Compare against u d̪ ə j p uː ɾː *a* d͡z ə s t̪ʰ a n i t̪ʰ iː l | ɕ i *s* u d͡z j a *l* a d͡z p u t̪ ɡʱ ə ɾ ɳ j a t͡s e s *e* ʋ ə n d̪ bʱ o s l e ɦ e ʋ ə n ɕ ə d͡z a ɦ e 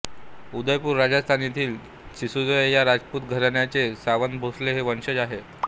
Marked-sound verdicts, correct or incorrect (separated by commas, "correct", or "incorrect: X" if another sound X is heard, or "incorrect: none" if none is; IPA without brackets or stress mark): correct, correct, incorrect: ɾ, incorrect: a